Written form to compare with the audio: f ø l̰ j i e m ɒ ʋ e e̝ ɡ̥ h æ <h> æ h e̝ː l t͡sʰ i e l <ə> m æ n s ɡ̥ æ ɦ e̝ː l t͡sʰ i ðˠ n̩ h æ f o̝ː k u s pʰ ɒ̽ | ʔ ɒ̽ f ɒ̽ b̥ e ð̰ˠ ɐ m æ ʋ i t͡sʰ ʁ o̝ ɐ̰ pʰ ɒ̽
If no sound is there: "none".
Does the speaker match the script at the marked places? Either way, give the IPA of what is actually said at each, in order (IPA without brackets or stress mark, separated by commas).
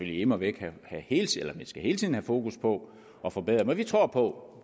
h, ɐ